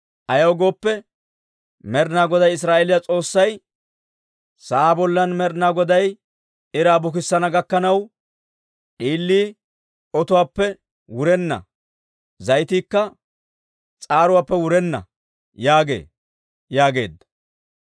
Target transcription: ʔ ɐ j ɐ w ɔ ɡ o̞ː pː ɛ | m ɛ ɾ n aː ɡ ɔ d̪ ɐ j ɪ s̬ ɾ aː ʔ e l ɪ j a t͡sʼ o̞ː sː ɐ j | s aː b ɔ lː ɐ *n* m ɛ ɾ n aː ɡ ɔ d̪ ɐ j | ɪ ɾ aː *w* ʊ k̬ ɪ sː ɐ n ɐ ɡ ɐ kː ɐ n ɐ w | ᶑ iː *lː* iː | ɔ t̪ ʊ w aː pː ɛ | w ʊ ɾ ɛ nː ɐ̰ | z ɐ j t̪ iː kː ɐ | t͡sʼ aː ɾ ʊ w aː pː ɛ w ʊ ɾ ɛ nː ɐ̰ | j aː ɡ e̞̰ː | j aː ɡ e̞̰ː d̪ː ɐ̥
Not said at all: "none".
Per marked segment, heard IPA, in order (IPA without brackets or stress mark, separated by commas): n, b, lː